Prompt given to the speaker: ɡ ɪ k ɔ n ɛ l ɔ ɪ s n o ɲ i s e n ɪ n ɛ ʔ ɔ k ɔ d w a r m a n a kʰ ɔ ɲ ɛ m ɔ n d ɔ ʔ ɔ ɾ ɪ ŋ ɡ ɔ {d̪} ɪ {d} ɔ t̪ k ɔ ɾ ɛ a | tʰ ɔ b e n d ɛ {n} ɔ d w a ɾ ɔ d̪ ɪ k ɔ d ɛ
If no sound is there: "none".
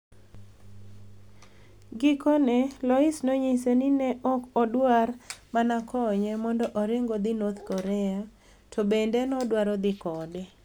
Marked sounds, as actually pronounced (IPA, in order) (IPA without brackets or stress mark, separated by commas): d̪, n, n